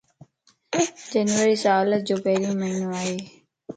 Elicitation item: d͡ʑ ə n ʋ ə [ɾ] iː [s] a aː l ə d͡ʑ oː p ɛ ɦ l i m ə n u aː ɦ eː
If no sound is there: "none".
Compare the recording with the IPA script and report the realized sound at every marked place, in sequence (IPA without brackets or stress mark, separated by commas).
ɾ, s